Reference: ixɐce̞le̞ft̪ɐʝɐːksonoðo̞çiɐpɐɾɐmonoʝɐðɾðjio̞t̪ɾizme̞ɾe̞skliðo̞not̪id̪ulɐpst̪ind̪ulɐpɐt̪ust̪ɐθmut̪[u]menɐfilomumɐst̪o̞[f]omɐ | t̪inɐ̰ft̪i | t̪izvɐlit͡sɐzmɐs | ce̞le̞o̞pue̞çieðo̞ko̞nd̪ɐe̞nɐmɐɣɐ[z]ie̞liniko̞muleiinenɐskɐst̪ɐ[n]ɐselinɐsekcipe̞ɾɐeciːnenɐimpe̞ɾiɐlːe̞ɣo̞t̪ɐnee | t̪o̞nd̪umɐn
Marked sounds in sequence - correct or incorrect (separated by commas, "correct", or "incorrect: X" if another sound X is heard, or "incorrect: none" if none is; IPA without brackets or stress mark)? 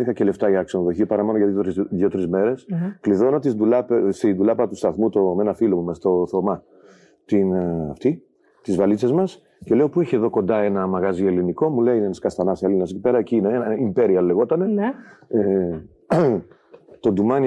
incorrect: o, incorrect: θ, correct, correct